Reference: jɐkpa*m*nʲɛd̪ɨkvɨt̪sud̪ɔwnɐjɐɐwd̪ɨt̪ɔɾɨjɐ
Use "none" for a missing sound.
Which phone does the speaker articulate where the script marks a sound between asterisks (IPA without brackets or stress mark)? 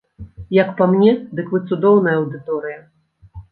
m